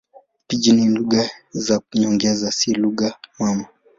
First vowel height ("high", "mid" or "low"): high